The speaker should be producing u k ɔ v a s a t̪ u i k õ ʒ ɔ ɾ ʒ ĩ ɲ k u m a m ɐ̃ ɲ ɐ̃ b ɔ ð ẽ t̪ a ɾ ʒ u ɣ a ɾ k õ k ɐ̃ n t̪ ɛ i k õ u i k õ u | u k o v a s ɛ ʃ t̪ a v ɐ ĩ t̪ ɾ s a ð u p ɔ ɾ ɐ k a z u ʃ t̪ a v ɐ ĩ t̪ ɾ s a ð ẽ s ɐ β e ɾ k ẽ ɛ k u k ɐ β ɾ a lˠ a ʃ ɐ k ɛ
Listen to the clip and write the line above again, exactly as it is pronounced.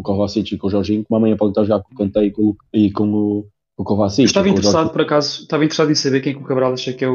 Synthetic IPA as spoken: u k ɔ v a s i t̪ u i k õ ʒ ɔ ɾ ʒ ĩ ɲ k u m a m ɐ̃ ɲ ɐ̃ p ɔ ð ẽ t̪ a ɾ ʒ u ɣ a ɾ k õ k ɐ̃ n t̪ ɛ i k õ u i k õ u | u k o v a s i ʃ t̪ a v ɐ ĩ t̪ ɾ s a ð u p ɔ ɾ ɐ k a z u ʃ t̪ a v ɐ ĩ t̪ ɾ s a ð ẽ s ɐ β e ɾ k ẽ ɛ k u k ɐ β ɾ a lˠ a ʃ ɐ k ɛ